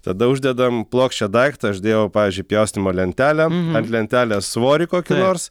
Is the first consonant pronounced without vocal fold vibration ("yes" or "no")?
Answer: yes